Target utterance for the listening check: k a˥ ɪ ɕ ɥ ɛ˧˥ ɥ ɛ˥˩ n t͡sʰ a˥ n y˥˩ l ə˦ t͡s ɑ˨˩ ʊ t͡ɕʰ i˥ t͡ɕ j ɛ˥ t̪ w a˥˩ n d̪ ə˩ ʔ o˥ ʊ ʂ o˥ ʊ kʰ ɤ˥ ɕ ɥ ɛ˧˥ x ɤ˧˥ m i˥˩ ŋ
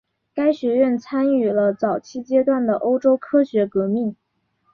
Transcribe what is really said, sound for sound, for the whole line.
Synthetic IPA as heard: k a˥ ɪ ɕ ɥ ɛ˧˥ ɥ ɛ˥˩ n t͡sʰ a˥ n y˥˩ l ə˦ t͡s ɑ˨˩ ʊ t͡ɕʰ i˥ t͡ɕ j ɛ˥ t̪ w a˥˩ n d̪ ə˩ ʔ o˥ ʊ ʈ͡ʂ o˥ ʊ kʰ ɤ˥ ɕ ɥ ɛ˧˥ k ɤ˧˥ m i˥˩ ŋ